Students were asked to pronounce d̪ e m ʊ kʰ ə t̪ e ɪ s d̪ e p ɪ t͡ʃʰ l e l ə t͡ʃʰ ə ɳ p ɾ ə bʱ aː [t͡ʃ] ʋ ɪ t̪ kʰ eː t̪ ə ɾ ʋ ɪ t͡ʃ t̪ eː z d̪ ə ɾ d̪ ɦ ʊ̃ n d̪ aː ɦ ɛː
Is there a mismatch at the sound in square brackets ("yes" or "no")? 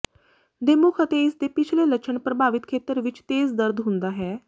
yes